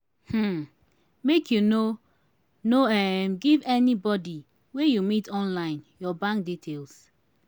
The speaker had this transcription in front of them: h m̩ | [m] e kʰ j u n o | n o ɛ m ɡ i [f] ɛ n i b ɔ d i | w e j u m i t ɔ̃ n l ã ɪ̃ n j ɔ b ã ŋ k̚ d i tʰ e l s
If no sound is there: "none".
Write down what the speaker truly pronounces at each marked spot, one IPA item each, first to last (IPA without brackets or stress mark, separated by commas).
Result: m, v